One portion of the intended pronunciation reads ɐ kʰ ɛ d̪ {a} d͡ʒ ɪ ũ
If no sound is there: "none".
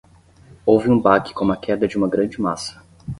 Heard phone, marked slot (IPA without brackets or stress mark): ɐ